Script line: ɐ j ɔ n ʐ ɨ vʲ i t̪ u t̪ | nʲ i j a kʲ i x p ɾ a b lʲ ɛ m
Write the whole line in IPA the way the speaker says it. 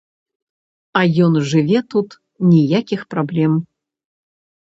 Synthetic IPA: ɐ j ɔ n ʐ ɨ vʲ ɛ t̪ u t̪ | nʲ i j a kʲ i x p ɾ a b lʲ ɛ m